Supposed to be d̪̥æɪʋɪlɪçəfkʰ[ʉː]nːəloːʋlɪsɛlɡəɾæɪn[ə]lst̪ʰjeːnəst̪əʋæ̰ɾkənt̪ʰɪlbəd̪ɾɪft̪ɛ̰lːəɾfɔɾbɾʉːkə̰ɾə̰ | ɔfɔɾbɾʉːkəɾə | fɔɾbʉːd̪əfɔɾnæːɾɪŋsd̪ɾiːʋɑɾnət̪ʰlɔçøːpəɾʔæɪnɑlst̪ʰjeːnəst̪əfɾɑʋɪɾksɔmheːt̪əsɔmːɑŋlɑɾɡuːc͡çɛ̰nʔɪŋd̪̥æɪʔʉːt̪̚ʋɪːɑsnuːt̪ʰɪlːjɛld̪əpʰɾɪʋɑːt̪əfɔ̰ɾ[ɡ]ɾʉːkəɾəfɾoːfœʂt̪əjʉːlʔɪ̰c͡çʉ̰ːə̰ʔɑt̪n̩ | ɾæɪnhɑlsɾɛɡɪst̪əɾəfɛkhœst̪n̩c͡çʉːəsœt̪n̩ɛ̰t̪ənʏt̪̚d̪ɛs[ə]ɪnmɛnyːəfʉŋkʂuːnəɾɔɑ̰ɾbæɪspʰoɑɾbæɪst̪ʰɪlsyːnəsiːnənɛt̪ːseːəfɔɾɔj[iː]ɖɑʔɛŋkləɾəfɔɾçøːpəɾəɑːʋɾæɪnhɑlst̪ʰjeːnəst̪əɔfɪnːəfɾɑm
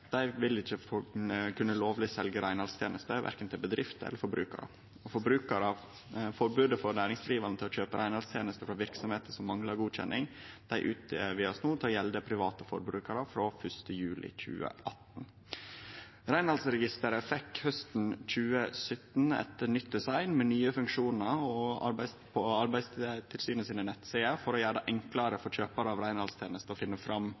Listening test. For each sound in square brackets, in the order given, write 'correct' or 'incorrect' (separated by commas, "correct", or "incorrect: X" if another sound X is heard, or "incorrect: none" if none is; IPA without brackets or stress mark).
incorrect: ʉ, incorrect: ɑ, incorrect: b, incorrect: ɑ, incorrect: æː